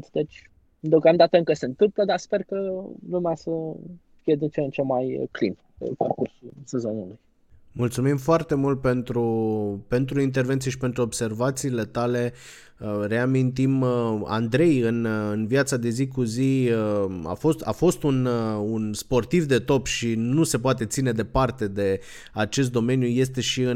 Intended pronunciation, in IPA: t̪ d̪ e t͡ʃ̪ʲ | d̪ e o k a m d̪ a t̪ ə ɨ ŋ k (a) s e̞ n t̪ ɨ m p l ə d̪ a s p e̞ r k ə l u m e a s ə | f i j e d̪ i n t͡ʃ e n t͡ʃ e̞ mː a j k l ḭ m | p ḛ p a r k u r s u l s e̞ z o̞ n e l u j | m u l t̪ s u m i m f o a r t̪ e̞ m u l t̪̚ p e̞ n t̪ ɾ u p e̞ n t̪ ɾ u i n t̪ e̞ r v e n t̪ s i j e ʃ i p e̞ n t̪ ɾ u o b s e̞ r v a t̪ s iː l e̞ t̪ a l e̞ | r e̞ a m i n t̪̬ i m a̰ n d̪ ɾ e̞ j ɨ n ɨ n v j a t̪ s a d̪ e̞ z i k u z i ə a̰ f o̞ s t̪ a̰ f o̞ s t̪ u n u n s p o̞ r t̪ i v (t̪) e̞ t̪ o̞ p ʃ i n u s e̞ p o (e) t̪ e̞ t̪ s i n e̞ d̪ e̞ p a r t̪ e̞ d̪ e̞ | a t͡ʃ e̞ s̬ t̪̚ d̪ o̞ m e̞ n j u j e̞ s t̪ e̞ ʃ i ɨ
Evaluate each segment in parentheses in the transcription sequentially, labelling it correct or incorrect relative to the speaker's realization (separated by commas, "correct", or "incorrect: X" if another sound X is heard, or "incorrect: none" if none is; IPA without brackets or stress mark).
incorrect: ə, incorrect: d̪, incorrect: a